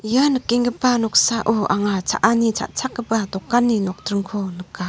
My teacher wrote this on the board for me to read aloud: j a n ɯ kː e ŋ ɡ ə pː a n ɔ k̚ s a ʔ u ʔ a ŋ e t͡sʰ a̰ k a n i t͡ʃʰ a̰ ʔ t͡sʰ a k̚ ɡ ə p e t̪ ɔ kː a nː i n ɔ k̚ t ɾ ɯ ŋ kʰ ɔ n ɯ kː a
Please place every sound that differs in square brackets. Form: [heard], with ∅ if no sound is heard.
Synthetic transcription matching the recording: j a n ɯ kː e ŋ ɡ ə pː a n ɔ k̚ s a ʔ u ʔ a ŋ [a] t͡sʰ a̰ [ʔ] a n i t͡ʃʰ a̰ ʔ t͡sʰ a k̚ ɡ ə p [a] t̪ ɔ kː a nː i n ɔ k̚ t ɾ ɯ ŋ kʰ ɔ n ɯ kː a